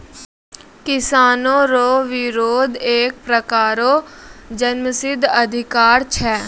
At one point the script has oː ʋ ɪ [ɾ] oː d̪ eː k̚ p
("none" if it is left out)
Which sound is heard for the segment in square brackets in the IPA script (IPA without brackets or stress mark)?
ɾ